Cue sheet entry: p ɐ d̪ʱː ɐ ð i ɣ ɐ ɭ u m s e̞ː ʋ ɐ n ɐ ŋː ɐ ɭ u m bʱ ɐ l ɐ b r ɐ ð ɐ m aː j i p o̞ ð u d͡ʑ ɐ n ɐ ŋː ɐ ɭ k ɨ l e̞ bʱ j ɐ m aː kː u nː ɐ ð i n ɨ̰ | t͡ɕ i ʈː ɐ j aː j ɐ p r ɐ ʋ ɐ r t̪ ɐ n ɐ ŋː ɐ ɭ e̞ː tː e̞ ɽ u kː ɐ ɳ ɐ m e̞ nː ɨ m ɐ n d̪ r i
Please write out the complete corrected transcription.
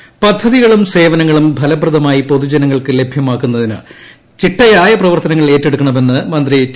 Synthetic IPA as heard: p ɐ d̪ʱː ɐ ð i ɣ ɐ ɭ u m s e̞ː ʋ ɐ n ɐ ŋː ɐ ɭ u m bʱ ɐ l ɐ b r ɐ ð ɐ m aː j i p o̞ ð u d͡ʑ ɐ n ɐ ŋː ɐ ɭ k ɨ l e̞ bʱ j ɐ m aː kː u nː ɐ ð i n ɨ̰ | t͡ɕ i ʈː ɐ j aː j ɐ p r ɐ ʋ ɐ r t̪ ɐ n ɐ ŋː ɐ ɭ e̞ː tː e̞ ɽ u kː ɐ ɳ ɐ m e̞ nː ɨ m ɐ n d̪ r i

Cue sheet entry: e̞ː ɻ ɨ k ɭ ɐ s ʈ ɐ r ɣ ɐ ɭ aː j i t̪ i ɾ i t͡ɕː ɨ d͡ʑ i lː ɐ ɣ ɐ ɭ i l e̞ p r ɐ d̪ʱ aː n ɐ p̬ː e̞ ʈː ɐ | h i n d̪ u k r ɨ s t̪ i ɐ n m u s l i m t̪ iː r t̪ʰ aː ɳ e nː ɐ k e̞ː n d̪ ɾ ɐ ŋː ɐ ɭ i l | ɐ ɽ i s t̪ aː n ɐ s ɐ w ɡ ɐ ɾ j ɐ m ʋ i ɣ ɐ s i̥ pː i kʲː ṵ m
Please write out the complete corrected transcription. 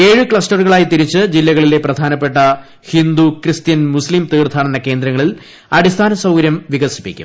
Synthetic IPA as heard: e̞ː ɻ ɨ k ɭ ɐ s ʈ ɐ r ɣ ɐ ɭ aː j i t̪ i ɾ i t͡ɕː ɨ d͡ʑ i lː ɐ ɣ ɐ ɭ i l e̞ p r ɐ d̪ʱ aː n ɐ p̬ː e̞ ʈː ɐ | h i n d̪ u k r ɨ s t̪ j ɐ n m u s l i m t̪ iː r t̪ʰ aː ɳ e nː ɐ k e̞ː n d̪ ɾ ɐ ŋː ɐ ɭ i l | ɐ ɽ i s t̪ʰ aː n ɐ s ɐ w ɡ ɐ ɾ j ɐ m ʋ i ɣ ɐ s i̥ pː i kʲː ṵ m

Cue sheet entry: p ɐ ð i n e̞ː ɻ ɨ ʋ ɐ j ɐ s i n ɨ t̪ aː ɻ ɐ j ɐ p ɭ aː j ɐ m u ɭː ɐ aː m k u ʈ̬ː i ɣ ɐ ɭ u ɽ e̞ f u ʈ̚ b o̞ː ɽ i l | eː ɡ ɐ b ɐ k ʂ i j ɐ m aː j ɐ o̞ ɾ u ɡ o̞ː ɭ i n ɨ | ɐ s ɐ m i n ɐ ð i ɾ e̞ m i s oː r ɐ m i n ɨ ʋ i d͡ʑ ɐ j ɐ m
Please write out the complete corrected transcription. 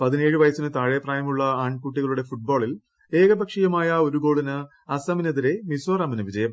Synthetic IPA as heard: p ɐ ð i n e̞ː ɻ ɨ ʋ ɐ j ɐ s i n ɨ t̪ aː ɻ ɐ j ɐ p r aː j ɐ m u ɭː ɐ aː ɳ k u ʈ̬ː i ɣ ɐ ɭ u ɽ e̞ f u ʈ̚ b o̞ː ɭ i l | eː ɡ ɐ b ɐ k ʂ i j ɐ m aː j ɐ o̞ ɾ u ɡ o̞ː ɭ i n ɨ | ɐ s ɐ m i n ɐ ð i ɾ e̞ m i s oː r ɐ m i n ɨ ʋ i d͡ʑ ɐ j ɐ m

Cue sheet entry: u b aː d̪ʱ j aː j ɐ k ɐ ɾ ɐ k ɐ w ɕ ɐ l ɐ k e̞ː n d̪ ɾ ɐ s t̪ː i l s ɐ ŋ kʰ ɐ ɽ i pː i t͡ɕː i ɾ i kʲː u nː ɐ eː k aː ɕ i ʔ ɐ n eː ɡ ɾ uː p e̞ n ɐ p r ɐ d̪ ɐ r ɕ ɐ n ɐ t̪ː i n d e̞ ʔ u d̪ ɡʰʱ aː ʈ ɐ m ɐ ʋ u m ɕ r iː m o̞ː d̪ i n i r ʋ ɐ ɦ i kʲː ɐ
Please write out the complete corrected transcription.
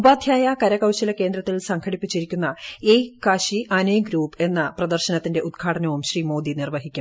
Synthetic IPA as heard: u b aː d̪ʱ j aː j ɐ k ɐ ɾ ɐ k ɐ w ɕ ɐ l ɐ k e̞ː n d̪ ɾ ɐ t̪ː i l s ɐ ŋ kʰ ɐ ɽ i pː i t͡ɕː i ɾ i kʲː u nː ɐ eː k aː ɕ i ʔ ɐ n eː ɡ ɾ uː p e̞ nː ɐ p r ɐ d̪ ɐ r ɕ ɐ n ɐ t̪ː i n d e̞ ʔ u d̪ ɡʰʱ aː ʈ ɐ n ɐ ʋ u m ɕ r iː m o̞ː d̪ i n i r ʋ ɐ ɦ i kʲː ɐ

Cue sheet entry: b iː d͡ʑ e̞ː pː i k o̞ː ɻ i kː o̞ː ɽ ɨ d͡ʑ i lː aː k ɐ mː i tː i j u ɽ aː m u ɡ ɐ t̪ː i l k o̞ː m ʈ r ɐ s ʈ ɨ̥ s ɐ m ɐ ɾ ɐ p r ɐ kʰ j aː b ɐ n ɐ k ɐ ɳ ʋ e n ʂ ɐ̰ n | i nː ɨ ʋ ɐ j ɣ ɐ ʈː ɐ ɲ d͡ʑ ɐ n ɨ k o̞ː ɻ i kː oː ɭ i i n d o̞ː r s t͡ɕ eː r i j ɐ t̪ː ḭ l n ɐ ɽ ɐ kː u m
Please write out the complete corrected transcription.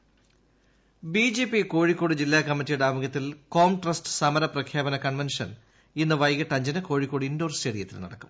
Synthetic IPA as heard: b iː d͡ʑ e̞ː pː i k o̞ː ɻ i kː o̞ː ɽ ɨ d͡ʑ i lː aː k ɐ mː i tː i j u ɽ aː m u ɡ ɐ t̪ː i l k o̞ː m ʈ r ɐ s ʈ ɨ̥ s ɐ m ɐ ɾ ɐ p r ɐ kʰ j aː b ɐ n ɐ k ɐ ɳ ʋ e n ʂ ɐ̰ n | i nː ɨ ʋ ɐ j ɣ ɐ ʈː ɐ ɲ d͡ʑ ɐ n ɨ k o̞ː ɻ i kː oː ɽ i i n d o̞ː r s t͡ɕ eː ɽ i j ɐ t̪ː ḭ l n ɐ ɽ ɐ kː u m

